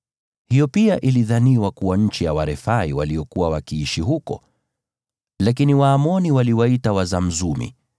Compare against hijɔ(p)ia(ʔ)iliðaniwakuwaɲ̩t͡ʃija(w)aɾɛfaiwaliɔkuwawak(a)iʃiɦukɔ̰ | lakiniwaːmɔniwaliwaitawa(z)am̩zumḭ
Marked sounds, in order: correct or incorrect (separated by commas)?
correct, correct, correct, incorrect, correct